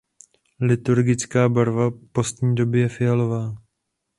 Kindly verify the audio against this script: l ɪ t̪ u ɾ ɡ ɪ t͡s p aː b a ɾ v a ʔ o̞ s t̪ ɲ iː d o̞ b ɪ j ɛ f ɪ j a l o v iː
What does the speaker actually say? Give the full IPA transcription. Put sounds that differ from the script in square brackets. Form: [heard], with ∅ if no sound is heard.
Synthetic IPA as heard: l ɪ t̪ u ɾ ɡ ɪ t͡s [k] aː b a ɾ v a [p] o̞ s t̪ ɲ iː d o̞ b ɪ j ɛ f ɪ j a l o v [aː]